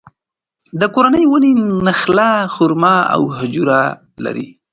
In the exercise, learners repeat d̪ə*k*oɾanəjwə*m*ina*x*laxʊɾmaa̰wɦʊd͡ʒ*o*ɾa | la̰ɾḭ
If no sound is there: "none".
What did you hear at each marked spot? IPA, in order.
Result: k, n, x, u

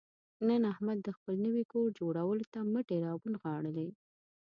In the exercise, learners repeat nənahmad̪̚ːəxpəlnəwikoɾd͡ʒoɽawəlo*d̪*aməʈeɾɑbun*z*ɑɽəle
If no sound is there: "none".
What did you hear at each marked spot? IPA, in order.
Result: t̪, ɣ

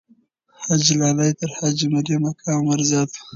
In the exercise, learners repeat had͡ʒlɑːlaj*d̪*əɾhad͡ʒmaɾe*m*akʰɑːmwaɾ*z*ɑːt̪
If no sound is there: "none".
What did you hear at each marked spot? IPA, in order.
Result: t̪, m, z

